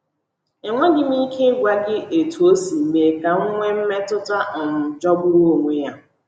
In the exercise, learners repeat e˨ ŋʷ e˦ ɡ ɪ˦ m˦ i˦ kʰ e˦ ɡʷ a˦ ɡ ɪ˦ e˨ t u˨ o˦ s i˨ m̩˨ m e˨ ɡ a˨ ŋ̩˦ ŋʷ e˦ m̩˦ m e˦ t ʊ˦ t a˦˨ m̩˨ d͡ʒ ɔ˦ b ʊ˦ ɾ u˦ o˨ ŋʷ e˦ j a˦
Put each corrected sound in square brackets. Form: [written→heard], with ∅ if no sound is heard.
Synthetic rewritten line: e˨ ŋʷ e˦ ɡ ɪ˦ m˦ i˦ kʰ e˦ ɡʷ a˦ ɡ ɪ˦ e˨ t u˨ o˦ s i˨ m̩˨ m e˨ [ɡ→k] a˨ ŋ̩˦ ŋʷ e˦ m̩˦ m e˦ t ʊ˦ t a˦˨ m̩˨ d͡ʒ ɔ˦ b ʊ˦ ɾ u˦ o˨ ŋʷ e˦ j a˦